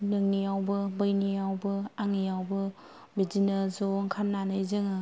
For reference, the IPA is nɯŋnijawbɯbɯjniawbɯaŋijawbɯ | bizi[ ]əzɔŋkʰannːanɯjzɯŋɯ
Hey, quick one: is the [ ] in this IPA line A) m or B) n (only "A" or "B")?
B